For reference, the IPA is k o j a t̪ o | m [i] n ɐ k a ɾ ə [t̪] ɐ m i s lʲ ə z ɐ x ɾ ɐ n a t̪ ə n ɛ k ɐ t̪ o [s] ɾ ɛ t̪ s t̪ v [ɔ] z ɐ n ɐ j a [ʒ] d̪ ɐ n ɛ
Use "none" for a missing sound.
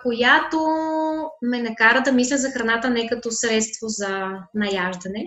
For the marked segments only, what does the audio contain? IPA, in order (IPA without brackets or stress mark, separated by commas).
ɛ, d̪, s, o, ʒ